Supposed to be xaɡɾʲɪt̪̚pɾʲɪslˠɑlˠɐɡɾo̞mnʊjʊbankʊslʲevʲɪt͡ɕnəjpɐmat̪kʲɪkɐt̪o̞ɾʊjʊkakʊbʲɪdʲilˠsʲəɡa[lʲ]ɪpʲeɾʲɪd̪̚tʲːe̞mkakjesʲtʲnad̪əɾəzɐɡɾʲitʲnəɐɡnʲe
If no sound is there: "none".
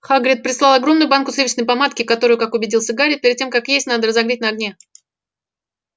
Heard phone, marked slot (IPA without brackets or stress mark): ɾʲ